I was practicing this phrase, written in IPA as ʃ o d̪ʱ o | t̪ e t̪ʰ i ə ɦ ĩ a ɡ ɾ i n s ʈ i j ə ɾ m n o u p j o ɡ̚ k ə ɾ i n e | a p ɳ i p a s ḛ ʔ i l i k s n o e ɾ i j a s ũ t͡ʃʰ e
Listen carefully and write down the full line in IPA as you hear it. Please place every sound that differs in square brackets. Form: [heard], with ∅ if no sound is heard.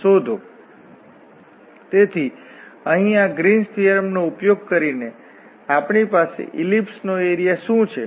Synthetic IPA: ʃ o d̪ʱ o | t̪ e t̪ʰ i ə ɦ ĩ a ɡ ɾ i n s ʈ i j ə ɾ m n o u p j o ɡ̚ k ə ɾ i n e | a p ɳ i p a s ḛ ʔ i l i [p] s n o e ɾ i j a [ʃ] ũ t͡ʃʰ e